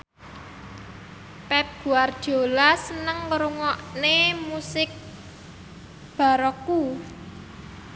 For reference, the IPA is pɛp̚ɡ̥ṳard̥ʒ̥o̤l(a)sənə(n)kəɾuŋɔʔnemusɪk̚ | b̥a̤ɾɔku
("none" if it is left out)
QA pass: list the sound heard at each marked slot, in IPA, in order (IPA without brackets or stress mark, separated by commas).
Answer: a, ŋ